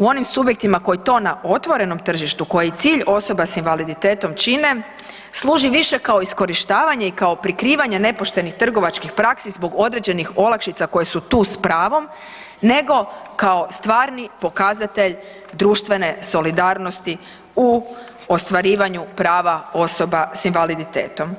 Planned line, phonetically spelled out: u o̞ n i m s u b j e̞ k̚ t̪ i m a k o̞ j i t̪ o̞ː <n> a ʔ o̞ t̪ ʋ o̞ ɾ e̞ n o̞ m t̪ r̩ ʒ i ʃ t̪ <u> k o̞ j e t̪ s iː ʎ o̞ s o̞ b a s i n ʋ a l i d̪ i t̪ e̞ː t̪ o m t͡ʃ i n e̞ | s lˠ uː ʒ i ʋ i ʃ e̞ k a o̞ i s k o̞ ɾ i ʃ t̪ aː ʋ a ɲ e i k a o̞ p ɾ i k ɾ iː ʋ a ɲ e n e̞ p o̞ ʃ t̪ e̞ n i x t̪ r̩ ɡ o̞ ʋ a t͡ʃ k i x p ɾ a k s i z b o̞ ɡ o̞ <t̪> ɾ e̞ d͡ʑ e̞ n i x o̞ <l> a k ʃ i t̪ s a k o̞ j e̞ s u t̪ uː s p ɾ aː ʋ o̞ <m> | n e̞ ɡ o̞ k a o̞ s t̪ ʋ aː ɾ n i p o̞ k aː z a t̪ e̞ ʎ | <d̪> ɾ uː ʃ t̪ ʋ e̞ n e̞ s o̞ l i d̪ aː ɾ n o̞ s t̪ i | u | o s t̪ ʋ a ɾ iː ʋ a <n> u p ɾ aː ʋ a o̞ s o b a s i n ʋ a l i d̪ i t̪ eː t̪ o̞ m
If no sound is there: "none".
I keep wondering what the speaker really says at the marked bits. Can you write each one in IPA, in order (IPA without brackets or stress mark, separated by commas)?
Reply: n, u, d̪, l, m, d̪, ɲ